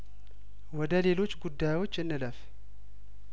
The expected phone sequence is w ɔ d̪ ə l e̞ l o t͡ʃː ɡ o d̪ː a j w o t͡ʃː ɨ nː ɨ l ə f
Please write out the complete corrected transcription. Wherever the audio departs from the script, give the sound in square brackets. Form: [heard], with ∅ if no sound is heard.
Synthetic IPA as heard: w ɔ d̪ ə l e̞ l o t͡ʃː ɡ [u] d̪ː a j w o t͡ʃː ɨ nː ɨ l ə f